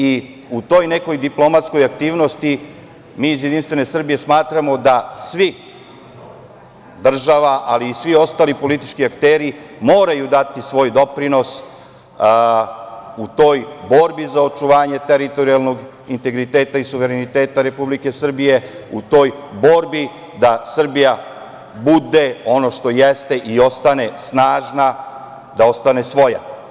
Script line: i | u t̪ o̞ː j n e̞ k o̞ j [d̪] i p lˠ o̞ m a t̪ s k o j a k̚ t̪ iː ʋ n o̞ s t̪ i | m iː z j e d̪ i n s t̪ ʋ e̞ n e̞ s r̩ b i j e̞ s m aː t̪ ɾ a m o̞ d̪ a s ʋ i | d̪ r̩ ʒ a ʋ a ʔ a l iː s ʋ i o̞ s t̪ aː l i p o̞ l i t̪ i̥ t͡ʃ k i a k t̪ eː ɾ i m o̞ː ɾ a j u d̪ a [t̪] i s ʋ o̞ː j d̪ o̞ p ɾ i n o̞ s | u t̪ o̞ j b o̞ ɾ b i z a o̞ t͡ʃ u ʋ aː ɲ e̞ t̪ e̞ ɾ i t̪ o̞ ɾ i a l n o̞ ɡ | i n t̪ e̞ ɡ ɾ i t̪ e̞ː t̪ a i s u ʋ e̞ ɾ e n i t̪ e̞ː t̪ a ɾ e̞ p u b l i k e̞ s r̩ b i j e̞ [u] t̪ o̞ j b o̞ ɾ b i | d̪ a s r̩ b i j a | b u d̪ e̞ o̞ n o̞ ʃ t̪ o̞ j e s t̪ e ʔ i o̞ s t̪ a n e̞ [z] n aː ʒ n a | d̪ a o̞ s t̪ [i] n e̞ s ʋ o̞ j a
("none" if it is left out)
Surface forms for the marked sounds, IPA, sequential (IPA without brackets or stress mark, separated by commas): d̪, t̪, u, s, a